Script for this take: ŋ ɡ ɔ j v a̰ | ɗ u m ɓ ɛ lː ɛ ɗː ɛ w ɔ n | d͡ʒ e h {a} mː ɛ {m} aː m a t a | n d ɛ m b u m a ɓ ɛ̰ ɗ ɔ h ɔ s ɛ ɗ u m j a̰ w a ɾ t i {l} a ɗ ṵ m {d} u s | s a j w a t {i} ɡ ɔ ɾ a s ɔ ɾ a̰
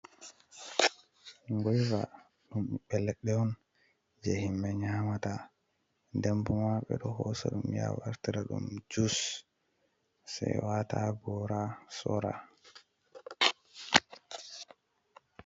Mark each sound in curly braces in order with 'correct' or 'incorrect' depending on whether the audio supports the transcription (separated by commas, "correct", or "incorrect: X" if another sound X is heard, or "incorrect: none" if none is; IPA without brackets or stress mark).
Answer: incorrect: i, incorrect: ɲ, incorrect: ɾ, incorrect: d͡ʒ, incorrect: a